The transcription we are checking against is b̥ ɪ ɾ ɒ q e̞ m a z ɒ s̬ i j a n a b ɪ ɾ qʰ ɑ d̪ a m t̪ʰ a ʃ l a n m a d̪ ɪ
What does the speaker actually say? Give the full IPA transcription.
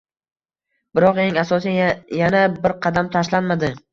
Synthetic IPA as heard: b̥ ɪ ɾ ɒ q e̞ ŋ a s ɒ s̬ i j a n a b ɪ ɾ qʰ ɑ d̪ a m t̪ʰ a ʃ l a n m a d̪ ɪ